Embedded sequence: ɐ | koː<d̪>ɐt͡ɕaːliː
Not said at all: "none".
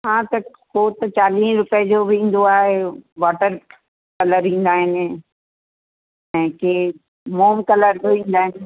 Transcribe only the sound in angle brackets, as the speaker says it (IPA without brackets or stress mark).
t̪